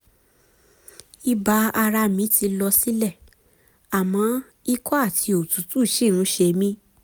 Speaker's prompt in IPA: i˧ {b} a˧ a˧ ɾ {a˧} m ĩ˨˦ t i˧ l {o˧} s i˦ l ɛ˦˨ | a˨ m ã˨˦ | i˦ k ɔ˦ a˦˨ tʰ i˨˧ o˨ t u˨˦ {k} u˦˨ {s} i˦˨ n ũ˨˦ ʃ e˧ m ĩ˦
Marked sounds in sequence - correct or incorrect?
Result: correct, correct, incorrect, incorrect, incorrect

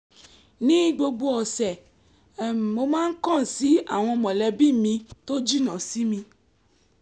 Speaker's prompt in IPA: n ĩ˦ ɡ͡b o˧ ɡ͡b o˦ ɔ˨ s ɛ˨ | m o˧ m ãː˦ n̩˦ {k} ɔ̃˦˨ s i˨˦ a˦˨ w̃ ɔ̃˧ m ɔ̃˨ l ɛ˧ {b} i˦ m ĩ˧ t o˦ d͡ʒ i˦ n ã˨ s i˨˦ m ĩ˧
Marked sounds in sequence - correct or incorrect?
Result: correct, correct

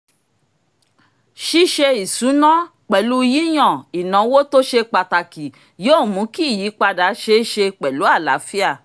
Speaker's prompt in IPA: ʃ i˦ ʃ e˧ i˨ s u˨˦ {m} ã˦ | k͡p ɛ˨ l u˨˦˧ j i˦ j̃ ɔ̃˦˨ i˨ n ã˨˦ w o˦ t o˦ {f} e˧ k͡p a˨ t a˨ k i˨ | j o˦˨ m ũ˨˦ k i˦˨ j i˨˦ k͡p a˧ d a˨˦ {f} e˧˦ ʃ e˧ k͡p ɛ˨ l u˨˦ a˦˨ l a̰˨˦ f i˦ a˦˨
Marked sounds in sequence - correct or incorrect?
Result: incorrect, incorrect, incorrect

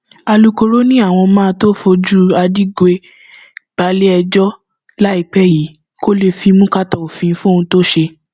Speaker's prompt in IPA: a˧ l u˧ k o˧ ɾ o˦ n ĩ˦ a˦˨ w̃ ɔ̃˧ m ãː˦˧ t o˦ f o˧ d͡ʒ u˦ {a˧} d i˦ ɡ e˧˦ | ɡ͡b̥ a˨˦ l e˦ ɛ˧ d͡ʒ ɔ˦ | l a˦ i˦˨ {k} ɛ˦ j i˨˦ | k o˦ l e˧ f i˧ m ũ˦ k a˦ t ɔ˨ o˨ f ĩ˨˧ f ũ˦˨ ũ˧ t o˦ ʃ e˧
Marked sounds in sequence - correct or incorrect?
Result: correct, incorrect

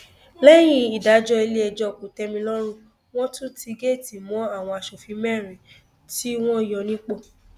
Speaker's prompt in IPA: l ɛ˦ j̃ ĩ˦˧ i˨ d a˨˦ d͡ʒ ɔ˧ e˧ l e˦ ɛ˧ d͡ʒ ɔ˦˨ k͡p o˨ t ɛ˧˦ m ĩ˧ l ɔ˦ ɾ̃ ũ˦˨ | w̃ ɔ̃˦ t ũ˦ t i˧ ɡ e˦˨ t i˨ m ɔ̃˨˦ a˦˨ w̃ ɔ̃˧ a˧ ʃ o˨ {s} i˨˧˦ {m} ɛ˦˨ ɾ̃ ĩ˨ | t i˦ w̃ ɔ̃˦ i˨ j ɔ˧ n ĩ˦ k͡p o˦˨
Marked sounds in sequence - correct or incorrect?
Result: incorrect, correct

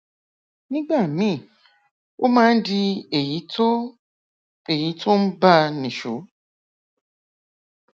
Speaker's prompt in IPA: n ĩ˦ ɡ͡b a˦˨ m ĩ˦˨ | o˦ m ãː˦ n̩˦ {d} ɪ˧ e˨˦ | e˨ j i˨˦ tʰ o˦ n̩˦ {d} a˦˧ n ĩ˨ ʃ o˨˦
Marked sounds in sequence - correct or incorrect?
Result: correct, incorrect

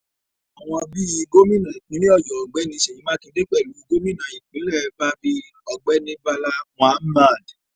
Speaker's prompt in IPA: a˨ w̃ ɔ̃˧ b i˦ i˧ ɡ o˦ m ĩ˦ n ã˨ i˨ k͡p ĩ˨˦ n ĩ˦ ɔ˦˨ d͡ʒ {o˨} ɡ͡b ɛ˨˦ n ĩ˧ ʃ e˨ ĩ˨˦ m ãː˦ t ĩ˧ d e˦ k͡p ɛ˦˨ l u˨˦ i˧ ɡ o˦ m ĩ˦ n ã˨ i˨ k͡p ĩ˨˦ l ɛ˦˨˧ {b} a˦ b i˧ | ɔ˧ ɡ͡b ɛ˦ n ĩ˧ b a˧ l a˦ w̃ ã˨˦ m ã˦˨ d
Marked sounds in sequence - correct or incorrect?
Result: incorrect, correct

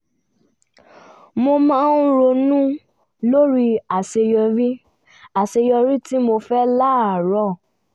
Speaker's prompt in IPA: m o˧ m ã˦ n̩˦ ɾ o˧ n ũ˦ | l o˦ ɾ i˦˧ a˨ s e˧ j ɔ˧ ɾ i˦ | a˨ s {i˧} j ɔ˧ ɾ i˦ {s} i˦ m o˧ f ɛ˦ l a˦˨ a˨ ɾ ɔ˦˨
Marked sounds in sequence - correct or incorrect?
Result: incorrect, incorrect

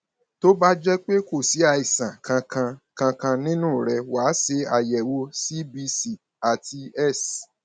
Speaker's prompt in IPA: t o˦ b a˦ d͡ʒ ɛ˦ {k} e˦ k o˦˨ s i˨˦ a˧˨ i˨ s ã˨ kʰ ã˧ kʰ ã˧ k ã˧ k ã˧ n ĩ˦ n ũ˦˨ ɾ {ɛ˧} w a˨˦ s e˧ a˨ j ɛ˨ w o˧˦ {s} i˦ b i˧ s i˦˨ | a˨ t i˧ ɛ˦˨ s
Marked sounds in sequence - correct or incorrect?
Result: incorrect, correct, correct

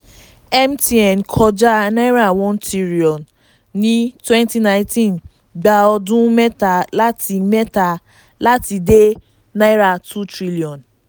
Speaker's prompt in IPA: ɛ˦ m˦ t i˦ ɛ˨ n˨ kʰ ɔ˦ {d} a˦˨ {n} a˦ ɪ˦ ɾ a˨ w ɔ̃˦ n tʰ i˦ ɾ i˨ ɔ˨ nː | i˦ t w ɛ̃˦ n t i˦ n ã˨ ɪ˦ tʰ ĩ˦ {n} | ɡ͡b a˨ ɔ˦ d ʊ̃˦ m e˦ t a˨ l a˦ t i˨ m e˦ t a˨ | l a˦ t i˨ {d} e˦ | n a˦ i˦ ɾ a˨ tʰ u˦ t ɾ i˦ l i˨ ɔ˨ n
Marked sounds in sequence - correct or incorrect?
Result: incorrect, correct, correct, correct

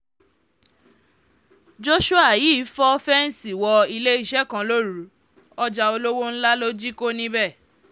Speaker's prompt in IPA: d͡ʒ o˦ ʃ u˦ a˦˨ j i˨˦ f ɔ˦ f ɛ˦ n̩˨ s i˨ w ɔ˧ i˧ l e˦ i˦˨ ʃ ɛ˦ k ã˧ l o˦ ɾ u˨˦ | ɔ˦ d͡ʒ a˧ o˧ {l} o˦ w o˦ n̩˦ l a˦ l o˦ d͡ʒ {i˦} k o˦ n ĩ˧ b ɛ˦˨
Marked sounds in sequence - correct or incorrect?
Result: correct, correct

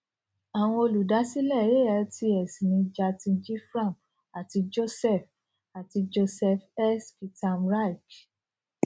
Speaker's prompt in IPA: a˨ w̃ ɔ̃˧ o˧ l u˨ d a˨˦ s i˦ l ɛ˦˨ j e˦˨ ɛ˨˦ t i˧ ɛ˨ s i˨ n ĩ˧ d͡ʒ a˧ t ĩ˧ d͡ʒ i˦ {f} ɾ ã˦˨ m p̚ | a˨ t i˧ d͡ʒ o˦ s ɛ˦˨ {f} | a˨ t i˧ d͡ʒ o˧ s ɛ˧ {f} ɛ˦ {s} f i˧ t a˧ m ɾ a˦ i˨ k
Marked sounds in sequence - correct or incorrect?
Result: correct, correct, correct, correct

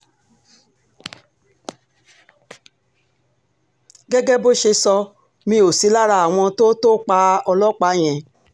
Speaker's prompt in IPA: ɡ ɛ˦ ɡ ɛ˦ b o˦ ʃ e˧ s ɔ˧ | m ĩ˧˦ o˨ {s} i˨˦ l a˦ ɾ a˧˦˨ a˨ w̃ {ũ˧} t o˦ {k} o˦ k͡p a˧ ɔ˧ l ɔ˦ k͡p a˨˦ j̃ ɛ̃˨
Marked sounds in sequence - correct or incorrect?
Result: correct, incorrect, incorrect

